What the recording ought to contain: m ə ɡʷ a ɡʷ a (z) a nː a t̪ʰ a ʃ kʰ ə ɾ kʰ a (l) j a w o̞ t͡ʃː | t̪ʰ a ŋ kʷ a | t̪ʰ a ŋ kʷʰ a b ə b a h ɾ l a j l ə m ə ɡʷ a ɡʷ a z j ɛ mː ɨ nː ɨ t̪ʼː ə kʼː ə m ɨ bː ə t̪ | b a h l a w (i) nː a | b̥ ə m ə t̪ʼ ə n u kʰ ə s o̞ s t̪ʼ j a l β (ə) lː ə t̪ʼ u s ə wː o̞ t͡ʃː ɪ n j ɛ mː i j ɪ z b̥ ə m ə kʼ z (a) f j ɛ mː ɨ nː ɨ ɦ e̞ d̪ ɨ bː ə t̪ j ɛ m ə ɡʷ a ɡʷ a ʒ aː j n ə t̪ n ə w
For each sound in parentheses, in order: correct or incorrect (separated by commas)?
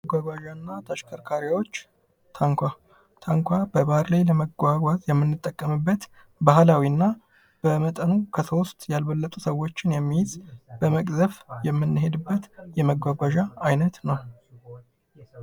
incorrect, incorrect, correct, correct, incorrect